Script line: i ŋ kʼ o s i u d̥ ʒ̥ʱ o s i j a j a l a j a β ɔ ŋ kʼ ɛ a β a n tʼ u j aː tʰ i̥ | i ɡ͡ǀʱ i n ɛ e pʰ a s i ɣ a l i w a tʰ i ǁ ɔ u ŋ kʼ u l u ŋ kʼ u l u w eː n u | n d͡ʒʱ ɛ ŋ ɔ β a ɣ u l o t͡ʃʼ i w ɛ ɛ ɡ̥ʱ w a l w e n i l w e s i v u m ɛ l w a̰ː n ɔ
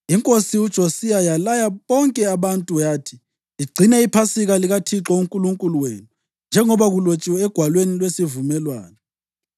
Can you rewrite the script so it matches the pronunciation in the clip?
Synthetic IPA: i ŋ kʼ o s i u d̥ ʒ̥ʱ o s i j a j a l a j a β ɔ ŋ kʼ ɛ a β a n tʼ u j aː tʰ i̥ | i ɡ͡ǀʱ i n ɛ i pʰ a s i ɣ a l i ɣ a tʰ i ǁ ɔ u ŋ kʼ u l u ŋ kʼ u l u w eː n u | n d͡ʒʱ ɛ ŋ ɔ β a ɣ u l o t͡ʃʼ i w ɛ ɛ ɡ̥ʱ w a l w e n i l w e s i v u m ɛ l w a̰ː n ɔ